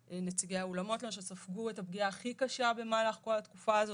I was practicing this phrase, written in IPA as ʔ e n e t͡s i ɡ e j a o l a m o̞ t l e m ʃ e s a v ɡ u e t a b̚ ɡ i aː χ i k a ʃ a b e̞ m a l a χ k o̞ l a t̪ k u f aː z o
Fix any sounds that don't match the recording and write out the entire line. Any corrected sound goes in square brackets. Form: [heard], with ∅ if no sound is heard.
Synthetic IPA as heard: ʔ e n e t͡s i ɡ e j a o l a m o̞ t l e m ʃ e s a [f] ɡ u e t a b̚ ɡ i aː χ i k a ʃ a b e̞ m a l a χ k o̞ l a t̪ k u f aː z o